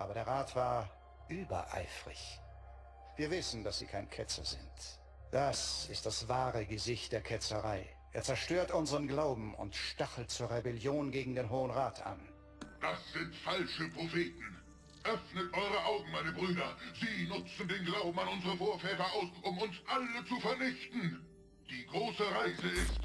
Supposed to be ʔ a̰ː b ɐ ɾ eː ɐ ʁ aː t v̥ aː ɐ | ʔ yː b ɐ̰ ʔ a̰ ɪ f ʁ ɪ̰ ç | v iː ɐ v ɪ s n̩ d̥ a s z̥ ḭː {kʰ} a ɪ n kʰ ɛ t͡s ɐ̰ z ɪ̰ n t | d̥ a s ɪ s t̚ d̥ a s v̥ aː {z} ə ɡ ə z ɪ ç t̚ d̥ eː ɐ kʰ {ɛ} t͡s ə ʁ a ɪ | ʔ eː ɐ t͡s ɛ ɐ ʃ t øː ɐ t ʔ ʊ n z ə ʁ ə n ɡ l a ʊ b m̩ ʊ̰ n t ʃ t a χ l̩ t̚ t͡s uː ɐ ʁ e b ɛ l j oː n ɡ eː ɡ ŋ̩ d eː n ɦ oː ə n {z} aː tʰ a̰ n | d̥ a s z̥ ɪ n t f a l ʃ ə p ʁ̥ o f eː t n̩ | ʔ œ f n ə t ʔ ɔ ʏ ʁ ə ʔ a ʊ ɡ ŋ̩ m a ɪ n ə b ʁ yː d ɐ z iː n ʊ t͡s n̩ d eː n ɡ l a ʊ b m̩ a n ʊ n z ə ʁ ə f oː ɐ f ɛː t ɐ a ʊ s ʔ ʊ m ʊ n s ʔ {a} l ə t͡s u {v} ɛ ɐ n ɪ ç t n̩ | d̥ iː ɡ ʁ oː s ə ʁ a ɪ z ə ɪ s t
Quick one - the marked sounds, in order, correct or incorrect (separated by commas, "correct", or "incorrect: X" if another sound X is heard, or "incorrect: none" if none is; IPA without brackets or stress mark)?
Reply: correct, incorrect: ʁ, correct, incorrect: ʁ, correct, incorrect: f